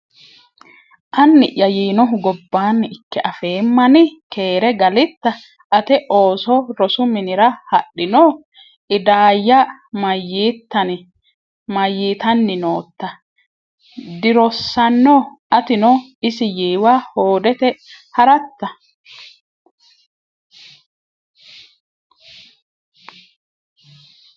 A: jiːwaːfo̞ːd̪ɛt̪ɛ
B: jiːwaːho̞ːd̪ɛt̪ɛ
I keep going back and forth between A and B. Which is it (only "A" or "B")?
B